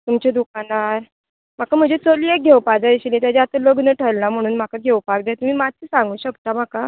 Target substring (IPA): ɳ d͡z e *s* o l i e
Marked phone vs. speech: incorrect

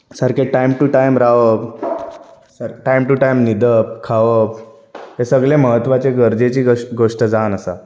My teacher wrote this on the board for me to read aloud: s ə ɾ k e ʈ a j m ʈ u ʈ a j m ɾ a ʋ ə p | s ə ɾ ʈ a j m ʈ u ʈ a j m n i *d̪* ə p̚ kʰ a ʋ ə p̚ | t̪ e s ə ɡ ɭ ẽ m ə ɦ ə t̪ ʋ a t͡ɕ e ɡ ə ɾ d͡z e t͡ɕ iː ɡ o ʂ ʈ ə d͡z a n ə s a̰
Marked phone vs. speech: correct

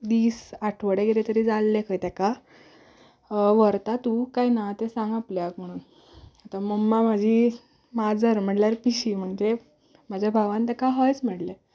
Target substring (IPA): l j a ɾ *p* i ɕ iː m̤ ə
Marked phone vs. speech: correct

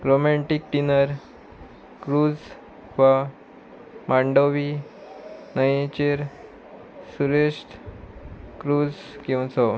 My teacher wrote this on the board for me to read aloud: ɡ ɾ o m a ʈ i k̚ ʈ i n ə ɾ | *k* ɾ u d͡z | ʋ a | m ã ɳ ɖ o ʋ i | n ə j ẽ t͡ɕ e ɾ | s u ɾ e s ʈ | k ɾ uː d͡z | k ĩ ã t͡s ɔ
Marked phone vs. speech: correct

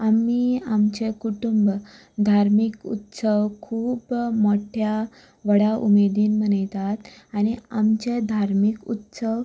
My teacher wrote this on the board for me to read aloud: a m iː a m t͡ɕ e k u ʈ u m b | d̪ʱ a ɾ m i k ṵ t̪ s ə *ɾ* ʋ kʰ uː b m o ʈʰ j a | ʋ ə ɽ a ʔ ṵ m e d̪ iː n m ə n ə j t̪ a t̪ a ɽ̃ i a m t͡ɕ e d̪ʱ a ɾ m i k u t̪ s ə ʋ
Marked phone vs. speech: incorrect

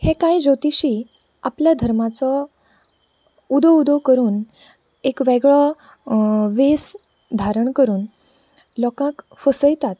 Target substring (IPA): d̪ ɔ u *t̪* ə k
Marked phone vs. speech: incorrect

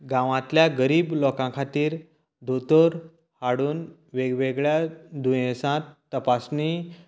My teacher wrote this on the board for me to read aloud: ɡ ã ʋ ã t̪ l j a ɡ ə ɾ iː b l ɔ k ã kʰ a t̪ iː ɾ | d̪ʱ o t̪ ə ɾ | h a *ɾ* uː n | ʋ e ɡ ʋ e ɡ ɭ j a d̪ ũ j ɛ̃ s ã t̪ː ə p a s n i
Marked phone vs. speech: incorrect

